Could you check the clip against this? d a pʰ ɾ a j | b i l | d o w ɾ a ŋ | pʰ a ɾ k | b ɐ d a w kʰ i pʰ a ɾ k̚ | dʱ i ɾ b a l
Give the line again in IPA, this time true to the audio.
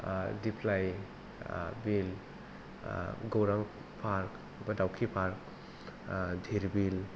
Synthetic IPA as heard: d i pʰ l a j | b i l | ɡ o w ɾ a ŋ | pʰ a ɾ k | b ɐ d a w kʰ i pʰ a ɾ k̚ | dʱ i ɾ b i l

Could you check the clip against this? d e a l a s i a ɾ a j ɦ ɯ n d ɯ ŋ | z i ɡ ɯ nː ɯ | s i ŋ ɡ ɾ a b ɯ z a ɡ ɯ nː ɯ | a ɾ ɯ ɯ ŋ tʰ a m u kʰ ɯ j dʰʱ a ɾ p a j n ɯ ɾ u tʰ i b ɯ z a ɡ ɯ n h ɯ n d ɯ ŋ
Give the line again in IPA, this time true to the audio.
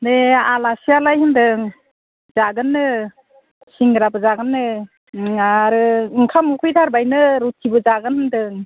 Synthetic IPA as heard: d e a l a s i a l a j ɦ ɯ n d ɯ ŋ | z a ɡ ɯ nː ɯ | s i ŋ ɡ ɾ a b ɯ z a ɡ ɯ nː ɯ | a ɾ ɯ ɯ ŋ kʰ a m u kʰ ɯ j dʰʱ a ɾ b a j n ɯ ɾ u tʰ i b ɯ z a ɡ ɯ n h ɯ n d ɯ ŋ

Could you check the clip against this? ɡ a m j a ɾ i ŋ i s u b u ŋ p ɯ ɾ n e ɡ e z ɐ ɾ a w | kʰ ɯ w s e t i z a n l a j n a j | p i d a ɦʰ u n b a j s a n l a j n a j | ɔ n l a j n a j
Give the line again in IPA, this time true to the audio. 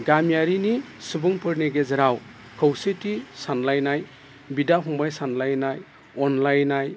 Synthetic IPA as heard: ɡ a m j a ɾ i n i s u b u ŋ p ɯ ɾ n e ɡ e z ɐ ɾ a w | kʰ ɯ w s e t i s a n l a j n a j | b i d a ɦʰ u ŋ b a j s a n l a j n a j | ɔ n l a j n a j

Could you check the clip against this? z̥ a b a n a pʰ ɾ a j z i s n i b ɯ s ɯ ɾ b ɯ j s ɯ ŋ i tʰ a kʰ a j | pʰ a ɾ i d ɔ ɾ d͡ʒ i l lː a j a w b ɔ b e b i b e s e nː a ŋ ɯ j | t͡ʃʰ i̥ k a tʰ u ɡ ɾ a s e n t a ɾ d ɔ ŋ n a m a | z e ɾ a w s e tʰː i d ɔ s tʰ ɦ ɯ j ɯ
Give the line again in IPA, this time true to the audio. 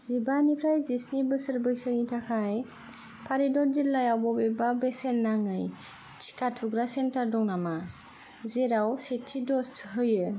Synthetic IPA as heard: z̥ i b a n i pʰ ɾ a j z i s n i b ɯ s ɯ ɾ b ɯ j s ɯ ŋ i tʰ a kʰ a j | pʰ a ɾ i d ɔ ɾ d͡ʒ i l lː a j a w b ɔ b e b a b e s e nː a ŋ ɯ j | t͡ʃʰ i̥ k a tʰ u ɡ ɾ a s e n t a ɾ d ɔ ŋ n a m a | z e ɾ a w s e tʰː i d ɔ s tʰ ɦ ɯ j ɯ

